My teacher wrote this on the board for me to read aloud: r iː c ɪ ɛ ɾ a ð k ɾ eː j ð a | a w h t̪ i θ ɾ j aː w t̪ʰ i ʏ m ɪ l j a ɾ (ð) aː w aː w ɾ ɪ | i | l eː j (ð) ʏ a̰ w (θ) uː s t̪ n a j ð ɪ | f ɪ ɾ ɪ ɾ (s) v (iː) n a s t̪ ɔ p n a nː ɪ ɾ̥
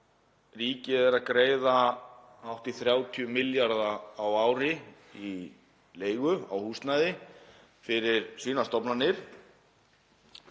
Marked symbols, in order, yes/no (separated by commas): yes, no, no, yes, yes